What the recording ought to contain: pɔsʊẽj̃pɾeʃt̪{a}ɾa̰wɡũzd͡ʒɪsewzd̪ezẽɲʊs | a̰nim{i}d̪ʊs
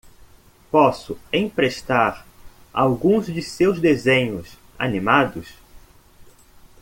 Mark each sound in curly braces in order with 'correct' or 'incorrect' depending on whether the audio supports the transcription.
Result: correct, incorrect: a

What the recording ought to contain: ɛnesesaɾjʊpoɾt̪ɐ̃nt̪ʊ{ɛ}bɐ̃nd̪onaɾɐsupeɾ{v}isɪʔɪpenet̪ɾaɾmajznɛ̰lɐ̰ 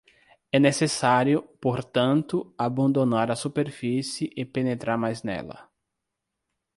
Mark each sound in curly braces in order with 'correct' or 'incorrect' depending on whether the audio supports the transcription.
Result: incorrect: a, incorrect: f

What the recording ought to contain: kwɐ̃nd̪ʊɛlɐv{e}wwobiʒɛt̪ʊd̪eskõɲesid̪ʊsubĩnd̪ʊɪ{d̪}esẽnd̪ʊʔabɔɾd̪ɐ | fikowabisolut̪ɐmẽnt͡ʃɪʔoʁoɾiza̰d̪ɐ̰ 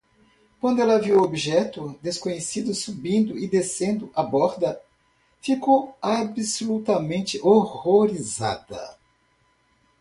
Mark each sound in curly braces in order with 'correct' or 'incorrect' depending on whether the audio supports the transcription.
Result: incorrect: i, correct

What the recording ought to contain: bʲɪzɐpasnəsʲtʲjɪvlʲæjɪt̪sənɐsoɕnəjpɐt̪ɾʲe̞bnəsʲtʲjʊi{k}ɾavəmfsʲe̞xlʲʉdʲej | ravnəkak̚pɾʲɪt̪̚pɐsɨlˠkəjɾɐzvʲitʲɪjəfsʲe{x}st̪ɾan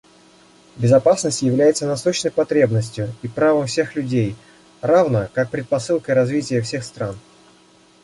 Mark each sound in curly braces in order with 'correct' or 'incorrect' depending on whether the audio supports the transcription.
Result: incorrect: p, correct

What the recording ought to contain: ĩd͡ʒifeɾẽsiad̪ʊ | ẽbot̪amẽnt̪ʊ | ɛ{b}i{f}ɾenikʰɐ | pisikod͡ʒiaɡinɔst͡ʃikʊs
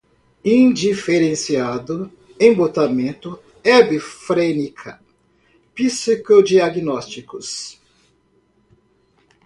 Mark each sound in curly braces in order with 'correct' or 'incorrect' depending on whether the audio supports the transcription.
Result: correct, correct

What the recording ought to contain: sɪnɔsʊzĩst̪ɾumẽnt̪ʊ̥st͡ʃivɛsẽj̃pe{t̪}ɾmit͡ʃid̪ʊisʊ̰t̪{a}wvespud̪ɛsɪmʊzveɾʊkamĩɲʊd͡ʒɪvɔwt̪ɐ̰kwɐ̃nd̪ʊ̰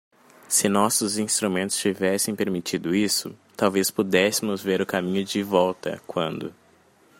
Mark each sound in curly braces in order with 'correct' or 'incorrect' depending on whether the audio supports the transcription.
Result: incorrect: none, correct

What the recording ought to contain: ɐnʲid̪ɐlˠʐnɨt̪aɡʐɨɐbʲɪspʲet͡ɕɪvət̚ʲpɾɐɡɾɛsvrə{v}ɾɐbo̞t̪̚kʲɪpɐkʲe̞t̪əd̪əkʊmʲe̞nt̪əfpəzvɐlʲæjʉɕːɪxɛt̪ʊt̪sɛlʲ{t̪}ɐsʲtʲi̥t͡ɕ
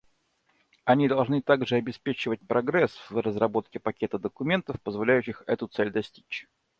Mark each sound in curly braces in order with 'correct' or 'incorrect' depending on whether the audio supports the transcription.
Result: incorrect: z, incorrect: d̪

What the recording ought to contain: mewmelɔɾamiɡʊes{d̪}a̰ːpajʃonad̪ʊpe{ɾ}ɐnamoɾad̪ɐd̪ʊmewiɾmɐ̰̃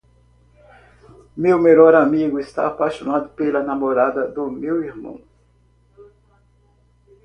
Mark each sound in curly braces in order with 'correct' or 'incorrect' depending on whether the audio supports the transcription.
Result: incorrect: t̪, incorrect: l

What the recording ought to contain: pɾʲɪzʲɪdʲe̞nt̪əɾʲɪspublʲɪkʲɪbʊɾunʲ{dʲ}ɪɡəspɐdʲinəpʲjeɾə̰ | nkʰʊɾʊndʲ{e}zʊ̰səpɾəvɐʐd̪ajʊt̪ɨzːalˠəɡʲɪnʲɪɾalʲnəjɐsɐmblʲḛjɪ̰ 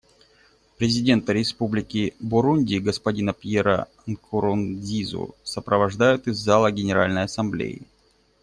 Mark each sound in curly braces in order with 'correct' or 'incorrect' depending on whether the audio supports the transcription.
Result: correct, incorrect: i

